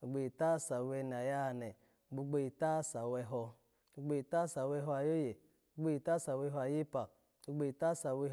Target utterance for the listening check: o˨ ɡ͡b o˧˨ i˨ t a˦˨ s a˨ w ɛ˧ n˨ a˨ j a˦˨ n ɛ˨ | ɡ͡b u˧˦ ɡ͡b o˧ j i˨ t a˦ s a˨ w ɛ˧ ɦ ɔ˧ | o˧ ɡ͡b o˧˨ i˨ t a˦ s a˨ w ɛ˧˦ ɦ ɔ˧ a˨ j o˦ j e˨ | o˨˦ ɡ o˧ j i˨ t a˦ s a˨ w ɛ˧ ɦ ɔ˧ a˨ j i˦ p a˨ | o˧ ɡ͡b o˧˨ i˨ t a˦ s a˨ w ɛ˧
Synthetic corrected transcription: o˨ ɡ͡b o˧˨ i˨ t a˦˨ s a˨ w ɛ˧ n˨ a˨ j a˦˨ n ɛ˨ | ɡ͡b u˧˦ ɡ͡b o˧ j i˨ t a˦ s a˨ w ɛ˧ ɦ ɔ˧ | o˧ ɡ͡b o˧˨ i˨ t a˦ s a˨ w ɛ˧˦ ɦ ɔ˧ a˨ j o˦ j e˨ | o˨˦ ɡ͡b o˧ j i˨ t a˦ s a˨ w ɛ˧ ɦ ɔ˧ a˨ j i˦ p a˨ | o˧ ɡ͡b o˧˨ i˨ t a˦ s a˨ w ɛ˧